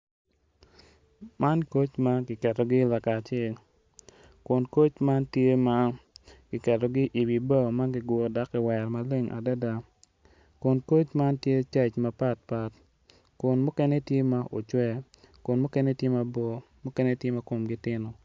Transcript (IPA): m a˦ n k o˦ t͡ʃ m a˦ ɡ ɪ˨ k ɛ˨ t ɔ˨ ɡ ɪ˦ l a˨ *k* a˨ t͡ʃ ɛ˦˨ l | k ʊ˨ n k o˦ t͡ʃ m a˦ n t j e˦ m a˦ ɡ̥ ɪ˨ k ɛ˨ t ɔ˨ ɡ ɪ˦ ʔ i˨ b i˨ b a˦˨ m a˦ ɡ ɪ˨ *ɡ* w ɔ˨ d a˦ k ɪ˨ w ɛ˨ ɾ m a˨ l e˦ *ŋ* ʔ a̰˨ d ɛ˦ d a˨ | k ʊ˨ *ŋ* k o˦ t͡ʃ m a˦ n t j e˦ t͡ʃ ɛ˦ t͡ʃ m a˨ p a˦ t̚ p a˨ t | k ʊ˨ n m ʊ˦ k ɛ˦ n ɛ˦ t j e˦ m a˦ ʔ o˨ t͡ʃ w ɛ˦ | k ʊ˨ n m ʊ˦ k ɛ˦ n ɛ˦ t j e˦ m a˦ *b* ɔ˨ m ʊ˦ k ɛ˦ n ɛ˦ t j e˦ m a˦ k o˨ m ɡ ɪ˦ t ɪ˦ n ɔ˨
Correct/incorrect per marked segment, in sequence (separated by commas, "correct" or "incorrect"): correct, correct, correct, incorrect, correct